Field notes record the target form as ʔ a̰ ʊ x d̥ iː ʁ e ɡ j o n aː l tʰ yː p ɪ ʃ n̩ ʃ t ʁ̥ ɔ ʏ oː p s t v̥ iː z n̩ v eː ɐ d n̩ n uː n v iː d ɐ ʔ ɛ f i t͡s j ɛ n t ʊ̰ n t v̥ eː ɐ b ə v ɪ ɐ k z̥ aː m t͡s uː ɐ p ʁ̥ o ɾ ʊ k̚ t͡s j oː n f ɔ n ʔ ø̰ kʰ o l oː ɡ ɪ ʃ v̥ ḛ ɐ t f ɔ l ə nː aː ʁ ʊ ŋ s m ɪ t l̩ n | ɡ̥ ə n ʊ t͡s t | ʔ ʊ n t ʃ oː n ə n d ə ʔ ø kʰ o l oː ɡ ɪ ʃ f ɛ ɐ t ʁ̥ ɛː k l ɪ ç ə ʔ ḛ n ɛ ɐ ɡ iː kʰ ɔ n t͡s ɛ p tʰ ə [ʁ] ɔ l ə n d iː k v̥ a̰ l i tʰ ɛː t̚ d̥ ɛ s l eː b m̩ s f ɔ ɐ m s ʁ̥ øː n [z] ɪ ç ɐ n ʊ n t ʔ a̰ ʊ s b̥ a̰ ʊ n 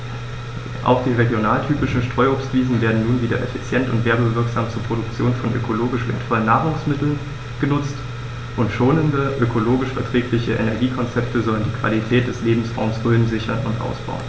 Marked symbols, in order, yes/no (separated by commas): no, yes